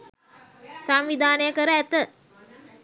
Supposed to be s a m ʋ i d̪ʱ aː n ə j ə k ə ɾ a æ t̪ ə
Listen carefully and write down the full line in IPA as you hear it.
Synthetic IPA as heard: s a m ʋ i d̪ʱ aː n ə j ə k ə ɾ ə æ t̪ ə